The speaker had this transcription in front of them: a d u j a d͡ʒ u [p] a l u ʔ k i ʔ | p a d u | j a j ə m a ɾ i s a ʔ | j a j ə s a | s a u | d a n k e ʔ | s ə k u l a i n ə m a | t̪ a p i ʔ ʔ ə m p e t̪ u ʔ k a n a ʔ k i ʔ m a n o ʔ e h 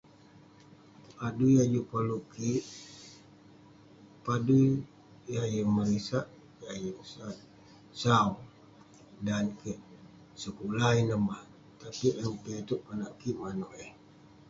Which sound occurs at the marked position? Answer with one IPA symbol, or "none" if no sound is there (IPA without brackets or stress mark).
p